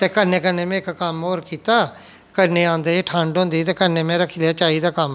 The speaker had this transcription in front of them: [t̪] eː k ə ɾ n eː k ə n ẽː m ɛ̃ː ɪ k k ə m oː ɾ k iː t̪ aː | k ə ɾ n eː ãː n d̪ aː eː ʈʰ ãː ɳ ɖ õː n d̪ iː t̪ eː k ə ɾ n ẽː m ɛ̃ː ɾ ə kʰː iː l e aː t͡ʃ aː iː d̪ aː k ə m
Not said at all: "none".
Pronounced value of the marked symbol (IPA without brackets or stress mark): t̪